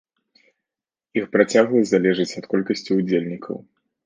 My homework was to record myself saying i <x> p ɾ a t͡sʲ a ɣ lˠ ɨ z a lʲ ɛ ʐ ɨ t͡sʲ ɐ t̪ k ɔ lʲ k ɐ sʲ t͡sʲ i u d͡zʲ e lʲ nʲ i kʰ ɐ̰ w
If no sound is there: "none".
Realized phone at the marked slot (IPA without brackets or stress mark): x